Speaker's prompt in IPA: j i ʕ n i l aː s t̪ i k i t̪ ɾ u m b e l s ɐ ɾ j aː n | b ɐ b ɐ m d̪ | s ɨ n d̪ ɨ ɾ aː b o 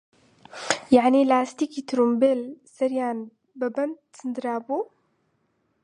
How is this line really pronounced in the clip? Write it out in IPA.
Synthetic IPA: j a ʕ n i l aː s t̪ i k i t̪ ɾ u m b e l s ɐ ɾ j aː n | b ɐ b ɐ n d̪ | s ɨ n d̪ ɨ ɾ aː b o